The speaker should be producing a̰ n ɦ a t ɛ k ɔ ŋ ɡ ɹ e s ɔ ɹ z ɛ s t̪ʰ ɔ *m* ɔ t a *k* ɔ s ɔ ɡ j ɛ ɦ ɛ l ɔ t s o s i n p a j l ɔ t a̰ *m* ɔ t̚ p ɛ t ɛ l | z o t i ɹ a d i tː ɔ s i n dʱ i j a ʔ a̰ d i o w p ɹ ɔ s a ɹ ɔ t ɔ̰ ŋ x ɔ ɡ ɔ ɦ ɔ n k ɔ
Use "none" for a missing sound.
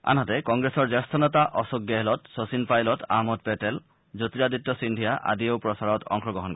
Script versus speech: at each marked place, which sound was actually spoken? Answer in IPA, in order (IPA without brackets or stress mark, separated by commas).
n, ʔ, m